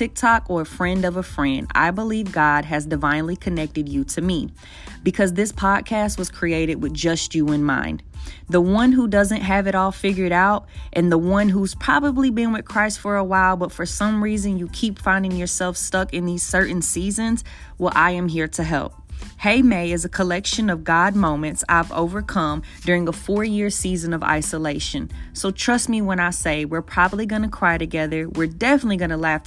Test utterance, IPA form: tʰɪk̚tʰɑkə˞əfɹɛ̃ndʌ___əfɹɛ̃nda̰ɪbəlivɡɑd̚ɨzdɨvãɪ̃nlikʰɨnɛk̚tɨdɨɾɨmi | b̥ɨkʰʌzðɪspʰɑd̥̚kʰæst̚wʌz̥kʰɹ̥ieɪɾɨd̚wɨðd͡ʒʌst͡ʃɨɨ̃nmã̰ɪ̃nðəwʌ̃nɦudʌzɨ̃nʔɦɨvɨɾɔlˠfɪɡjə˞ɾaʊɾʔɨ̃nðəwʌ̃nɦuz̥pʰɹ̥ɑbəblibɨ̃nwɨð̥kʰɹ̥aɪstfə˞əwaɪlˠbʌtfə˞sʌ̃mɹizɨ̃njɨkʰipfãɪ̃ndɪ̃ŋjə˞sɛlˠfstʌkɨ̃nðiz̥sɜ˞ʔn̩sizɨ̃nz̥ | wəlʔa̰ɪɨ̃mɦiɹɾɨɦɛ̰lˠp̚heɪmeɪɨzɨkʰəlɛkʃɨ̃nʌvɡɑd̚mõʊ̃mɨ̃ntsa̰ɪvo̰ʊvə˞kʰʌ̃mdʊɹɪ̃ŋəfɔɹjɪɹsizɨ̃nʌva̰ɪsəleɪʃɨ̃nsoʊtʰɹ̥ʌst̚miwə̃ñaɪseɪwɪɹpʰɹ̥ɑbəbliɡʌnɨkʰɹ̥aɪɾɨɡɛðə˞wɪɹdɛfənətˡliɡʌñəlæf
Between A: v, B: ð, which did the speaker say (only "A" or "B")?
A